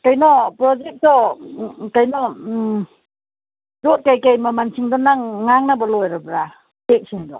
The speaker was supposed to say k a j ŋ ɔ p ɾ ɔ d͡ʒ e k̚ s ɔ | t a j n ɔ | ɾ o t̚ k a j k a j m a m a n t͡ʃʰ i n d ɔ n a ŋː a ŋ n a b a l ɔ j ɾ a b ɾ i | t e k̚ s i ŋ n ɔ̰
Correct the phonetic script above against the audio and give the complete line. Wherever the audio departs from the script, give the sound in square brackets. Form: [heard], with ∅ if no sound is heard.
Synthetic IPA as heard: k a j [n] ɔ p ɾ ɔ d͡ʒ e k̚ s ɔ | [k] a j n ɔ | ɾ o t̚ k a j k a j m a m a n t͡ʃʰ i [ŋ] d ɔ n a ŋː a ŋ n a b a l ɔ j ɾ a b ɾ [a] | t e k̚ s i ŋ [d] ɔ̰